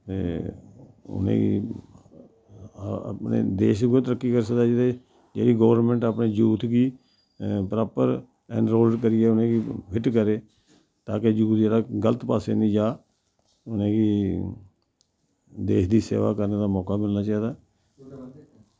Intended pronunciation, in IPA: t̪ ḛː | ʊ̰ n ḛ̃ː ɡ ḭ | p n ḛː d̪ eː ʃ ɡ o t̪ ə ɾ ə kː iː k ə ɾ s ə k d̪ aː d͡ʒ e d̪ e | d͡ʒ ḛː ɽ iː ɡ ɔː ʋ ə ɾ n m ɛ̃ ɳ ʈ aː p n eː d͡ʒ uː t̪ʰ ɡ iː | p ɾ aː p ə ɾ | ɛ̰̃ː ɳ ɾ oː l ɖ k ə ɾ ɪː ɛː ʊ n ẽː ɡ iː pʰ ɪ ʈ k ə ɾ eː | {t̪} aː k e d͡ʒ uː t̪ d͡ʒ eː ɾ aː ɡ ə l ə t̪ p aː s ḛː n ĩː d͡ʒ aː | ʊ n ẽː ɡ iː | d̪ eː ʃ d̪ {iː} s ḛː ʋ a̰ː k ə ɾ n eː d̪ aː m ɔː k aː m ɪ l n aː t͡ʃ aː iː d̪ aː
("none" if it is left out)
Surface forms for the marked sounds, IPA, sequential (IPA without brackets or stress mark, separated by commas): t̪, iː